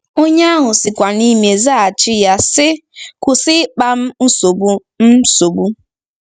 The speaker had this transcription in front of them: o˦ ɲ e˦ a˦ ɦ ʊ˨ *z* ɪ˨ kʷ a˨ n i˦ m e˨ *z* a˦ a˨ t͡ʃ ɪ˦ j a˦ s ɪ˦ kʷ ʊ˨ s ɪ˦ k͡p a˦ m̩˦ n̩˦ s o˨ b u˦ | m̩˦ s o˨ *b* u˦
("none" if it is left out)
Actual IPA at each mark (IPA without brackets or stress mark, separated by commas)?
s, z, b